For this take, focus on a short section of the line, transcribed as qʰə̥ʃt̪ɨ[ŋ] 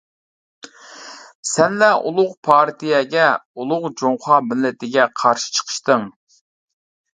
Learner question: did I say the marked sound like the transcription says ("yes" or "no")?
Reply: yes